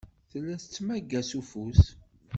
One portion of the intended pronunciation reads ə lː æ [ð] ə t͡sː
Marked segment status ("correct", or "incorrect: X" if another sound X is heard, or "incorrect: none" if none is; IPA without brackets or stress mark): incorrect: θ